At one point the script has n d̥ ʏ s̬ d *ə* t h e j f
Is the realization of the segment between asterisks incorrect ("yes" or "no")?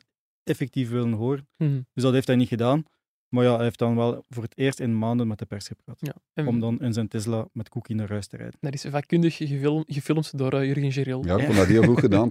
yes